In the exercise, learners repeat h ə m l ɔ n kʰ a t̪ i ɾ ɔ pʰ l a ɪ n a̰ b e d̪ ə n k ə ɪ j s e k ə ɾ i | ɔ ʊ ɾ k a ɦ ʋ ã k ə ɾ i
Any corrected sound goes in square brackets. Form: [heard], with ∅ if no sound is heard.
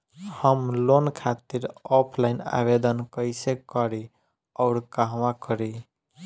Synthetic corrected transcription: h ə m l [o] n kʰ a t̪ i ɾ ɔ pʰ l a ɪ n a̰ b e d̪ ə n k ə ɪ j s e k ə ɾ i | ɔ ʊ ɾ k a ɦ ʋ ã k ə ɾ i